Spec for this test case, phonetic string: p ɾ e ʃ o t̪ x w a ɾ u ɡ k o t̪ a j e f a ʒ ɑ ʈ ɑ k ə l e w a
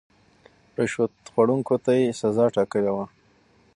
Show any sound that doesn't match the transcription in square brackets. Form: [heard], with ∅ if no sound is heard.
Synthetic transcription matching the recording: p ɾ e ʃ o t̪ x w a [ɽ] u [ŋ] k o t̪ a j e [s] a [z] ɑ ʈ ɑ k ə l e w a